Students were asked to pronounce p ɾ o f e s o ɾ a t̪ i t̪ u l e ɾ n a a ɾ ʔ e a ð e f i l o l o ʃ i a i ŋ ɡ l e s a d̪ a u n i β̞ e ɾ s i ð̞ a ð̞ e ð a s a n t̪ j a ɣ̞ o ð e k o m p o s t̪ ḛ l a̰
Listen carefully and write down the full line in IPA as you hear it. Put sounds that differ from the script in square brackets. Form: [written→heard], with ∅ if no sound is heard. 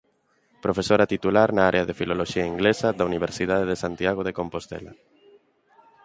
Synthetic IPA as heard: p ɾ o f e s o ɾ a t̪ i t̪ u l [e→a] ɾ n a a ɾ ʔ e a ð e f i l o l o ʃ i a i ŋ ɡ l e s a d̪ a u n i β̞ e ɾ s i ð̞ a ð̞ e ð [a→e] s a n t̪ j a ɣ̞ o ð e k o m p o s t̪ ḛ l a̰